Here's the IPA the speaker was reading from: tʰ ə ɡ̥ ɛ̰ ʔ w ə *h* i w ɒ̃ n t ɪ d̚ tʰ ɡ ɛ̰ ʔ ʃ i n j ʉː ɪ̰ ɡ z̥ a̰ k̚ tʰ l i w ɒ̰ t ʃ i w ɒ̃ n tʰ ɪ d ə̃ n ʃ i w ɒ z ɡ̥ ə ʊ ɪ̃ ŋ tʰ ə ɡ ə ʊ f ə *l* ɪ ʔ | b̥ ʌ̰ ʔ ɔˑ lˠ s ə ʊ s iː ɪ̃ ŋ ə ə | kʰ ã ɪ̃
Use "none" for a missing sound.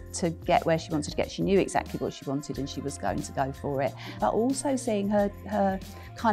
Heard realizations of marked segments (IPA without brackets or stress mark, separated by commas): ʃ, ɹ